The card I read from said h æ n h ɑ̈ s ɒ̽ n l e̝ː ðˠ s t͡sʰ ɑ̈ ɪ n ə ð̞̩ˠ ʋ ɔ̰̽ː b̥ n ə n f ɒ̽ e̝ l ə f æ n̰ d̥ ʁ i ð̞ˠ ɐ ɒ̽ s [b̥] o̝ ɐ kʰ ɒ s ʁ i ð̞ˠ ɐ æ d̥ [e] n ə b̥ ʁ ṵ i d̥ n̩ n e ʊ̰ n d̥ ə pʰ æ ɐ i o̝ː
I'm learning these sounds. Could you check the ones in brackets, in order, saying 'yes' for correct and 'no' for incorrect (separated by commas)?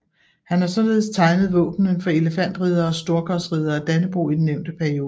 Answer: no, no